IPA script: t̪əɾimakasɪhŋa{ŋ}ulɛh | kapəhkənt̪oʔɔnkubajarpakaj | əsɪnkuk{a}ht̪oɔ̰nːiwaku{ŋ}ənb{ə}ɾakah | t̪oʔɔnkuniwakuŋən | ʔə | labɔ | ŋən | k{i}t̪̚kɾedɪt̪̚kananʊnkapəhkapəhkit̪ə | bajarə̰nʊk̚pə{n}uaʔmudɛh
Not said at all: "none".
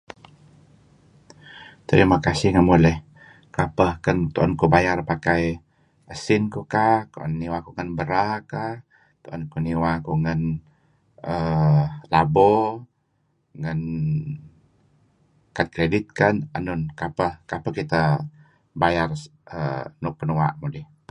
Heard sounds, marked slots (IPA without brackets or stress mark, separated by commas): m, a, ŋ, ə, a, n